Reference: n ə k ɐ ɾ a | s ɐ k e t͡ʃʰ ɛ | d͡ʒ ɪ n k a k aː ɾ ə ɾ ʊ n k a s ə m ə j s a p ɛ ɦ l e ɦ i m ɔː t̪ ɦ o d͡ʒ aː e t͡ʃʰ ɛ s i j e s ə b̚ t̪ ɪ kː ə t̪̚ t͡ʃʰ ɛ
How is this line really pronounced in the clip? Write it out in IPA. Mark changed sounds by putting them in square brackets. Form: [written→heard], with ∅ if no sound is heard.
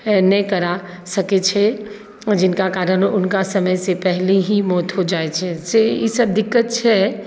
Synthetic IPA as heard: n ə k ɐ ɾ a | s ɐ k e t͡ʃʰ ɛ | d͡ʒ ɪ n k a k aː ɾ ə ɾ ʊ n k a s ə m ə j s [a→e] p ɛ ɦ l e ɦ i m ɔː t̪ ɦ o d͡ʒ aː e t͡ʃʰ ɛ s [i→e] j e s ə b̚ [t̪→d̪] ɪ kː ə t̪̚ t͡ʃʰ ɛ